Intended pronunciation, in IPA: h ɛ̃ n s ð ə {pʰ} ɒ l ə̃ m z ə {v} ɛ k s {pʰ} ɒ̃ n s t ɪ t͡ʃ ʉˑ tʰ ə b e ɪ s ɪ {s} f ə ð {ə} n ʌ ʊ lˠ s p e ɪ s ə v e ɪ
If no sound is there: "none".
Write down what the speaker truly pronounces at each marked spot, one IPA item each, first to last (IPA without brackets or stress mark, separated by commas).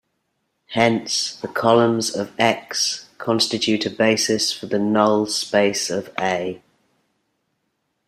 kʰ, v, kʰ, s, ə